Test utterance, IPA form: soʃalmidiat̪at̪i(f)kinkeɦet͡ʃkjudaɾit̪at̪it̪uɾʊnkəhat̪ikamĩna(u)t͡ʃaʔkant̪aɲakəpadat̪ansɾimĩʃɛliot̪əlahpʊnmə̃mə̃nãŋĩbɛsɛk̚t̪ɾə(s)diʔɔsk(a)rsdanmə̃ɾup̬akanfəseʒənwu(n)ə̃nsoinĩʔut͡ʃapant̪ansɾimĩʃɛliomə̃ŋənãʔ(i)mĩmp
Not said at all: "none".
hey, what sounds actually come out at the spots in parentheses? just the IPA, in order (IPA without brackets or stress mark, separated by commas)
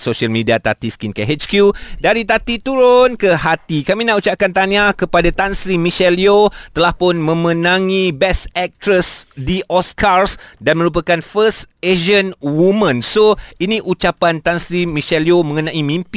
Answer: s, u, s, a, m, i